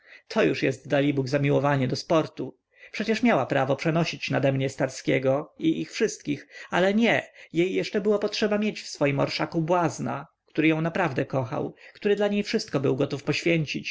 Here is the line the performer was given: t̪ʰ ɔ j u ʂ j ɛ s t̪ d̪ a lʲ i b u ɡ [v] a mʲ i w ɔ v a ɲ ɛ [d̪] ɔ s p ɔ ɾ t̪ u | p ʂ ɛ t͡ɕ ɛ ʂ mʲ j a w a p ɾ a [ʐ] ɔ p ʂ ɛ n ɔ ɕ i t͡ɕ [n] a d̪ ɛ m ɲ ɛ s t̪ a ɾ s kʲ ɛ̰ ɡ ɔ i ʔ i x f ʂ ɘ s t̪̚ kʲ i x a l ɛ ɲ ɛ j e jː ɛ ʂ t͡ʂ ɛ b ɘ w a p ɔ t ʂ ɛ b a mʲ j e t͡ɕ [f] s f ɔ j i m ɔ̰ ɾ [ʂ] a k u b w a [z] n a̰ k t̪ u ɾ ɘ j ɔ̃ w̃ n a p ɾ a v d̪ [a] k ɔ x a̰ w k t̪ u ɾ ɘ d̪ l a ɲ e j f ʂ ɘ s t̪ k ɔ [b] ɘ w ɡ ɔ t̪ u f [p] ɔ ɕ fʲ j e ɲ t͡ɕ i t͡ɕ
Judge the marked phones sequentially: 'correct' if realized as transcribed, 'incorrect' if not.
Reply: incorrect: z, correct, incorrect: v, correct, correct, correct, correct, incorrect: ɛ, correct, correct

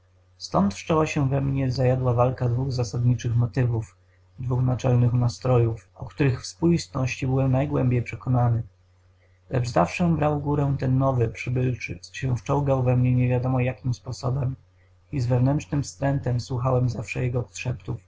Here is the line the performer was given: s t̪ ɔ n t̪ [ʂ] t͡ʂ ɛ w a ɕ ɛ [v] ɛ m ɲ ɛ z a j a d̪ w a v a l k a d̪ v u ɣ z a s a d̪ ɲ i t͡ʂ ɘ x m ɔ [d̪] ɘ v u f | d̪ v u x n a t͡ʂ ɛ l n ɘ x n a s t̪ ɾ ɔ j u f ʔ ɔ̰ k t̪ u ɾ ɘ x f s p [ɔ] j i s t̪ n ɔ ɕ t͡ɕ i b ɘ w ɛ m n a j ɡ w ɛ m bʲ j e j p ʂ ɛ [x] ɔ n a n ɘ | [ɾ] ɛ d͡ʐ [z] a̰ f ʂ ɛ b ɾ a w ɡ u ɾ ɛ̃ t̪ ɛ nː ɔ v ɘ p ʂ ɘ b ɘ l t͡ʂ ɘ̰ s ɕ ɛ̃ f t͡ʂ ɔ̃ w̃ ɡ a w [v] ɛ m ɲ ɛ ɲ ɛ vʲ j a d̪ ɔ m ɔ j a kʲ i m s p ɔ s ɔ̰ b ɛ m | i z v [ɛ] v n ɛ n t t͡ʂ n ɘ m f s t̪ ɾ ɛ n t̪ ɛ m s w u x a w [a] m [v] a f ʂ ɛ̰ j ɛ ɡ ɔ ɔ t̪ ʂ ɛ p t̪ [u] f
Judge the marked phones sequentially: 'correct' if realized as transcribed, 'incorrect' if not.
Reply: correct, correct, incorrect: t̪, incorrect: u, incorrect: k, incorrect: l, correct, correct, correct, incorrect: ɛ, incorrect: z, correct

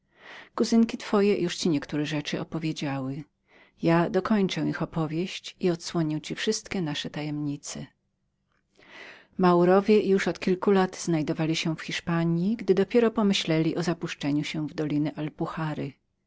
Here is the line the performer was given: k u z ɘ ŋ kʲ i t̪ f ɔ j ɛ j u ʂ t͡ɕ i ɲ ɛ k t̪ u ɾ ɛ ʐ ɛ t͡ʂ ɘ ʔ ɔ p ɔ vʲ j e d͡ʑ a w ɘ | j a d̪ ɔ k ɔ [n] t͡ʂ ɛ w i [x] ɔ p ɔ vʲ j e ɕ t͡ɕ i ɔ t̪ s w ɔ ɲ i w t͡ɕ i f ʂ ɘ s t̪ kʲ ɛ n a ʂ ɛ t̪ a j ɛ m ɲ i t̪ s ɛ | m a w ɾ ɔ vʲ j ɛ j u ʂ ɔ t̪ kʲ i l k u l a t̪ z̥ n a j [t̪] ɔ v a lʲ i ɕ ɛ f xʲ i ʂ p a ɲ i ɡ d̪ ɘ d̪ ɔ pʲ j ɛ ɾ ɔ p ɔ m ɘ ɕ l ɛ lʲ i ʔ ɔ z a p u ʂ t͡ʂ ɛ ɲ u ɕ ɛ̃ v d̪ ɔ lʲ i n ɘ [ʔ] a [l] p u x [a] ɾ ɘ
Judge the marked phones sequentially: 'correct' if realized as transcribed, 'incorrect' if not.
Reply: incorrect: ɲ, correct, incorrect: d̪, correct, correct, correct

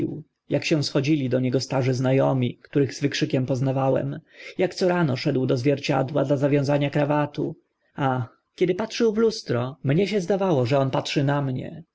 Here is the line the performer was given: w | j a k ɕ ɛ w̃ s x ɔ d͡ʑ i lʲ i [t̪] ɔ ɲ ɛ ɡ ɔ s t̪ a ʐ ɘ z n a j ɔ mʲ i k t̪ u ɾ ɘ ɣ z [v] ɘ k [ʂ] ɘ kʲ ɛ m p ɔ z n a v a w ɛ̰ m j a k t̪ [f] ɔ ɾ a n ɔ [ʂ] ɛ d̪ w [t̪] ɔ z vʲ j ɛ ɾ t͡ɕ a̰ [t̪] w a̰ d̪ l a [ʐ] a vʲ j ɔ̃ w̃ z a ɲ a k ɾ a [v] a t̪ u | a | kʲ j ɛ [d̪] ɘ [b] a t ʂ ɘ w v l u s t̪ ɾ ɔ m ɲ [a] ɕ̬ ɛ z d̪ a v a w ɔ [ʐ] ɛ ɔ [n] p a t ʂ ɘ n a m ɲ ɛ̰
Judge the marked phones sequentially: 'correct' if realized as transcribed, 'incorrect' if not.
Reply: incorrect: d̪, correct, correct, incorrect: s, correct, incorrect: d̪, incorrect: d̪, incorrect: z, correct, correct, incorrect: p, incorrect: ɛ, correct, correct

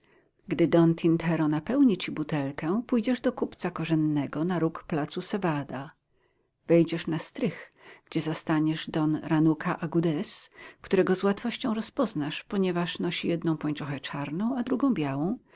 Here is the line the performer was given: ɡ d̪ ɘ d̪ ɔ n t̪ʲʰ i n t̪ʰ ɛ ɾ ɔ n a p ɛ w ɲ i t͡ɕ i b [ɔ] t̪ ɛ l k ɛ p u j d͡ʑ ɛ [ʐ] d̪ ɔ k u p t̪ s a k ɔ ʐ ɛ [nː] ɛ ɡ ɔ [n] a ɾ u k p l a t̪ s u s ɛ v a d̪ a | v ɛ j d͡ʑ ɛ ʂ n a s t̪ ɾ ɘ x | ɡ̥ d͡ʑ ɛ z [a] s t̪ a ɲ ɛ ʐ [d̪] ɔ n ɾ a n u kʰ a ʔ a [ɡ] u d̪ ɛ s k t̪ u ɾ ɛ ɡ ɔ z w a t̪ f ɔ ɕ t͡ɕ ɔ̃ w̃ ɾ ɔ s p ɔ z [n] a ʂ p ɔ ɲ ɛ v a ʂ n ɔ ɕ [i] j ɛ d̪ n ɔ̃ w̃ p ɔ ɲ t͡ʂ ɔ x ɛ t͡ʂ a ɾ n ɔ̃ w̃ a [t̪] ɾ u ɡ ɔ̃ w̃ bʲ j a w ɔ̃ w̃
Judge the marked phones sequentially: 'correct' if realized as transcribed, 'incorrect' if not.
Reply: incorrect: u, correct, correct, correct, correct, correct, correct, correct, correct, incorrect: d̪

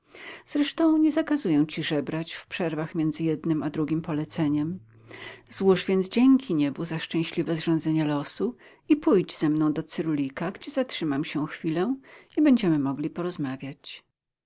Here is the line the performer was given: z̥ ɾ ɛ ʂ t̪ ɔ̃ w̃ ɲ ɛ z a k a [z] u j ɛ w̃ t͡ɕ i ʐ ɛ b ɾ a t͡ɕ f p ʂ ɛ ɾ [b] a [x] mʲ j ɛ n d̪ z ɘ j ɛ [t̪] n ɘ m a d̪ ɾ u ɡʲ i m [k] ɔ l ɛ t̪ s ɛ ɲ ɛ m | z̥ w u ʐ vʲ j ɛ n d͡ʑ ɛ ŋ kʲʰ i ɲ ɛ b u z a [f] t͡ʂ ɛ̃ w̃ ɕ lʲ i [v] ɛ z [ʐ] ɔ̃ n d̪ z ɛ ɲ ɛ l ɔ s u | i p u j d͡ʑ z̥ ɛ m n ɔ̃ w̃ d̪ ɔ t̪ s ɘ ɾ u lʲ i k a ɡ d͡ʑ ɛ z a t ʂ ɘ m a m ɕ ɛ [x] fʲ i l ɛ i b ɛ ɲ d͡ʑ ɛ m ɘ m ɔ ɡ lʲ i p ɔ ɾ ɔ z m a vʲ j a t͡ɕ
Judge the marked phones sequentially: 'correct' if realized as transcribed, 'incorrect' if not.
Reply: correct, incorrect: v, correct, incorrect: d̪, incorrect: p, incorrect: ʂ, correct, correct, correct

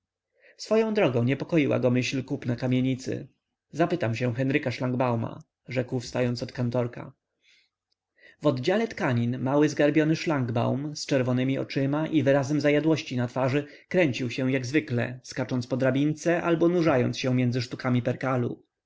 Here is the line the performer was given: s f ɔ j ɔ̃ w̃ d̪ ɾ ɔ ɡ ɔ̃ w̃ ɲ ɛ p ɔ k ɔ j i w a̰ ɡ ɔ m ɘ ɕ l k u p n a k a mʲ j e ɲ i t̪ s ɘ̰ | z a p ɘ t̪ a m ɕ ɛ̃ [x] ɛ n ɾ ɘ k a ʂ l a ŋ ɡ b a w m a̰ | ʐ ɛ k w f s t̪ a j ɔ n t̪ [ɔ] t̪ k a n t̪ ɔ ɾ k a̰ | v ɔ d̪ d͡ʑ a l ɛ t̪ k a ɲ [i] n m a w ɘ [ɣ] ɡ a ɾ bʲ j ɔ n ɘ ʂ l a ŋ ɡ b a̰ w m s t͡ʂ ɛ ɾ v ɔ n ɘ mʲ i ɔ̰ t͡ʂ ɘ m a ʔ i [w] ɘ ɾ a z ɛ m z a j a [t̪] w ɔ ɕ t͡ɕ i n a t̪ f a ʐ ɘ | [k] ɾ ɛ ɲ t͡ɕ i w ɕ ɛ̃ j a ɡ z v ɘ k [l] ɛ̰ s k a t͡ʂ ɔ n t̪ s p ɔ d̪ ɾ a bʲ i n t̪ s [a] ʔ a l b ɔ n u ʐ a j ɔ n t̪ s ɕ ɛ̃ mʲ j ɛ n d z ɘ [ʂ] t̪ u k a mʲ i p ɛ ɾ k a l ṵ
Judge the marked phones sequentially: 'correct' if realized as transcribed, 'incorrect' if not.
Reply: correct, correct, correct, incorrect: z, incorrect: v, incorrect: d̪, correct, correct, incorrect: ɛ, correct

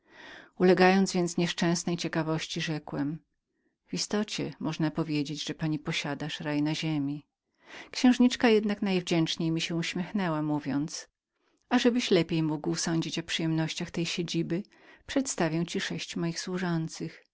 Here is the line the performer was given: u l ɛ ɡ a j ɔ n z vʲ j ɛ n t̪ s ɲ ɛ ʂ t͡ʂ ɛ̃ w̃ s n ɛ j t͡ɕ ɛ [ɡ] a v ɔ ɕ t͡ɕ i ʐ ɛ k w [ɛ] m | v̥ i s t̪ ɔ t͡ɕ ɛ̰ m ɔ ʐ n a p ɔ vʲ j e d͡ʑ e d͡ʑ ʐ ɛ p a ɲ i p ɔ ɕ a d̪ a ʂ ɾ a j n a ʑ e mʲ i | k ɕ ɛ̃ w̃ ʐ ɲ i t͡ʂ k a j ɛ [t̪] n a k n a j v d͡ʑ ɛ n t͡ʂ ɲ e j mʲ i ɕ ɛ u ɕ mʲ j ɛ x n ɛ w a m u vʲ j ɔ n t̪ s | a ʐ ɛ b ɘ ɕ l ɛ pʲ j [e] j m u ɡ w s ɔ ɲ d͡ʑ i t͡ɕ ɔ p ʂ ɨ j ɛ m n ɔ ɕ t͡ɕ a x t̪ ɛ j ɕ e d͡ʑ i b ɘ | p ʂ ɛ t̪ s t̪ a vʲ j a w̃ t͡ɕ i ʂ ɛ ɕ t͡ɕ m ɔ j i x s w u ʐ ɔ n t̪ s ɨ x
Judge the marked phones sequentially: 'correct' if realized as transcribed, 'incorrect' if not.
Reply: incorrect: k, correct, incorrect: d̪, correct

